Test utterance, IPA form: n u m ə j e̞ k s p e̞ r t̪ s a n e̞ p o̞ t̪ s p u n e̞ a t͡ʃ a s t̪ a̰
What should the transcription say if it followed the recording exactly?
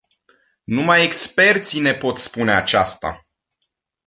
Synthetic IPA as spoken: n u m a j e̞ k s p e̞ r t̪ s i n e̞ p o̞ t̪ s p u n e̞ a t͡ʃ a s t̪ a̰